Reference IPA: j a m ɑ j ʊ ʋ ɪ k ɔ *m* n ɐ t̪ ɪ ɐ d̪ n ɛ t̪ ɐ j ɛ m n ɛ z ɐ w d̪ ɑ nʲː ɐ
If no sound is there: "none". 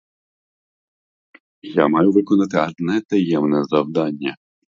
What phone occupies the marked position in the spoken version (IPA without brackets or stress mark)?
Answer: none